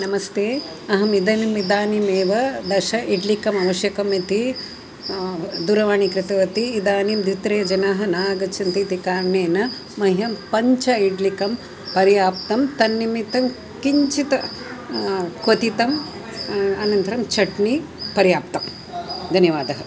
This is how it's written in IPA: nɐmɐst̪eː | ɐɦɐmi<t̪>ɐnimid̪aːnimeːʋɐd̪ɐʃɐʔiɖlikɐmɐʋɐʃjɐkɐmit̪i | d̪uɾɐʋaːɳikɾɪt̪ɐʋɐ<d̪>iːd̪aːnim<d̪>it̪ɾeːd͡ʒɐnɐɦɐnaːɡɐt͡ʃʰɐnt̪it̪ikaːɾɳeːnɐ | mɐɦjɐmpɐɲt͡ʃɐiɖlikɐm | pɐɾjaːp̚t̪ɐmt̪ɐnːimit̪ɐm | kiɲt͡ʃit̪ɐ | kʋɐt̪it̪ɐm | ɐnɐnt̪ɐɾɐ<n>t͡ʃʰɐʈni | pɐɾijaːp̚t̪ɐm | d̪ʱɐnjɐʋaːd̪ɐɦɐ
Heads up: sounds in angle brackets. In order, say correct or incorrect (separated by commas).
incorrect, incorrect, correct, incorrect